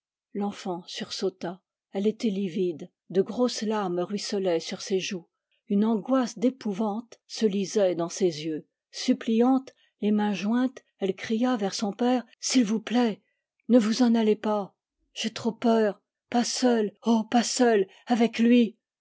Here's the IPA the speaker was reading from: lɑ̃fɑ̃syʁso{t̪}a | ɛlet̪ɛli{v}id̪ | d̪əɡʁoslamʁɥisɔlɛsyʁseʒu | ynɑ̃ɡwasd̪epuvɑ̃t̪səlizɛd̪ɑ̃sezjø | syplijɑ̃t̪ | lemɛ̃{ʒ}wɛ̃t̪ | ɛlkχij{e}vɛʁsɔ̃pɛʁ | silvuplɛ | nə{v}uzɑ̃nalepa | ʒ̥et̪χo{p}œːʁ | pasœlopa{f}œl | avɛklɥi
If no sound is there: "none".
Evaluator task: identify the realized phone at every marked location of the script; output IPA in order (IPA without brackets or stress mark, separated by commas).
t̪, v, ʒ, a, v, p, s